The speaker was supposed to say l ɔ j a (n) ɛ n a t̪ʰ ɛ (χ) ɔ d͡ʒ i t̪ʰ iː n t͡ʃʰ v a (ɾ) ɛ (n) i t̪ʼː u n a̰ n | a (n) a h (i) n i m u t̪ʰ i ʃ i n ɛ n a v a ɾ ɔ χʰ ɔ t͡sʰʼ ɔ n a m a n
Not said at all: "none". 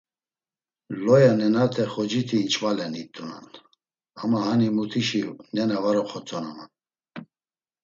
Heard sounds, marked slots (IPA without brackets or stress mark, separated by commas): n, χ, l, n, m, a